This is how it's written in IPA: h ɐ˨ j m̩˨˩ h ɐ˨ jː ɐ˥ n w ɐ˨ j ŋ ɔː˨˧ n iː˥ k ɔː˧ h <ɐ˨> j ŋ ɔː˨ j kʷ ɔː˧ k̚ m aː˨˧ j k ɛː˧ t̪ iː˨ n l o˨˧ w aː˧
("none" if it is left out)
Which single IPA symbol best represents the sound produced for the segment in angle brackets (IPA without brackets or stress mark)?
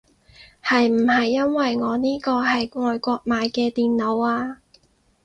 ɐ˨